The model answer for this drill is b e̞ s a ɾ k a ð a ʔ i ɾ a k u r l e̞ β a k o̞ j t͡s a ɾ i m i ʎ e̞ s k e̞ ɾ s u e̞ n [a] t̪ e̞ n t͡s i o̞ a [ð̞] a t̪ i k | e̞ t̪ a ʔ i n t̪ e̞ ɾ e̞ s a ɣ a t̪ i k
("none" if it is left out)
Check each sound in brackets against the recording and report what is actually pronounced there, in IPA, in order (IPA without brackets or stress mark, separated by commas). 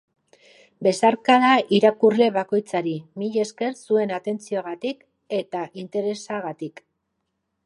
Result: a, ɣ̞